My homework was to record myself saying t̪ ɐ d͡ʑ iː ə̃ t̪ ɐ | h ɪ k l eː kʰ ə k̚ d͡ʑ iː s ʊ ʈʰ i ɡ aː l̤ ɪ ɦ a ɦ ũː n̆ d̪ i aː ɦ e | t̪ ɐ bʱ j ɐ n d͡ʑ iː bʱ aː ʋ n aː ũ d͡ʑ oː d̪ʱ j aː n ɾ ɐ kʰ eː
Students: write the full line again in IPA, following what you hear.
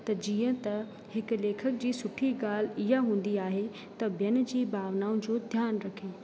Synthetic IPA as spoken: t̪ ɐ d͡ʑ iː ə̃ t̪ ɐ | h ɪ k l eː kʰ ə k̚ d͡ʑ iː s ʊ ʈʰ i ɡ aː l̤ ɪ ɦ a ɦ ũː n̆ d̪ i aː ɦ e | t̪ ɐ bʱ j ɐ n d͡ʑ iː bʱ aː ʋ n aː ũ d͡ʑ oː d̪ʱ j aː n ɾ ɐ kʰ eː